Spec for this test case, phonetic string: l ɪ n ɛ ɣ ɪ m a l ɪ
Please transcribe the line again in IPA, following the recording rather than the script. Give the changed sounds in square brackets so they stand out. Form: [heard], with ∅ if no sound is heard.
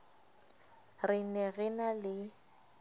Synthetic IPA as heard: [r] ɪ n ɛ ɣ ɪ [n] a l ɪ